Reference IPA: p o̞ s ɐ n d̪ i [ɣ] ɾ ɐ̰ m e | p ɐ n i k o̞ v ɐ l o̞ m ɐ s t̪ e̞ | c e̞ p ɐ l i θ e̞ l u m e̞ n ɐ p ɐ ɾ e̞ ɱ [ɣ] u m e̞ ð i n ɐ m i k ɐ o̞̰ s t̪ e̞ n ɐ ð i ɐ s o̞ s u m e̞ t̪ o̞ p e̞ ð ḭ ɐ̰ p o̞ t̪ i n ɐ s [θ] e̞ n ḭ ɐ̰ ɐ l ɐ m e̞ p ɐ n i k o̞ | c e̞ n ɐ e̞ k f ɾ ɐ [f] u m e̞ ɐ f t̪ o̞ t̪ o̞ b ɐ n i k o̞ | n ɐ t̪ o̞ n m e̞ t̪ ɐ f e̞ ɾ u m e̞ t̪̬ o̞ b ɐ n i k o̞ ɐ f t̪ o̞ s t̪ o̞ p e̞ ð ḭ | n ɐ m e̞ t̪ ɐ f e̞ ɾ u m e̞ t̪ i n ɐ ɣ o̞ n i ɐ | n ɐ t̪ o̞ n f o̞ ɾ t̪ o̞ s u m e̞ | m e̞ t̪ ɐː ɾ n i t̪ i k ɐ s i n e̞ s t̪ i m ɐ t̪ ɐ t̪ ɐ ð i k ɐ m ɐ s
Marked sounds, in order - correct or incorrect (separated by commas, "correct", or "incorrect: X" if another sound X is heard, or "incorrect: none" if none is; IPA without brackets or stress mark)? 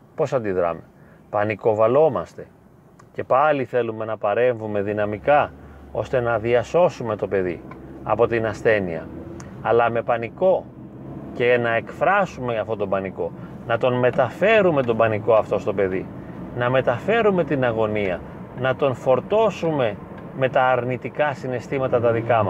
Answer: incorrect: ð, incorrect: v, correct, incorrect: s